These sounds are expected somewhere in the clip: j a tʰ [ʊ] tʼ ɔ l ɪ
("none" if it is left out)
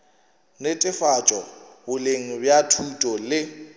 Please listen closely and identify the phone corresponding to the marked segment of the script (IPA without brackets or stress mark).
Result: u